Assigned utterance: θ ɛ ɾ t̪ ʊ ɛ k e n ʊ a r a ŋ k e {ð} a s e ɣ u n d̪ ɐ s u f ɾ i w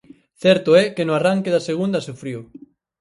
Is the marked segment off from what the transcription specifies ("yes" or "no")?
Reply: no